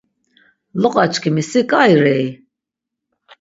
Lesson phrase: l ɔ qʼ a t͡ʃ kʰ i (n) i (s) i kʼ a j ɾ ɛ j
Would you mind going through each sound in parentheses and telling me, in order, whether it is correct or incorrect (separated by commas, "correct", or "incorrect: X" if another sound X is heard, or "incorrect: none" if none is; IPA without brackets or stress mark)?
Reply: incorrect: m, correct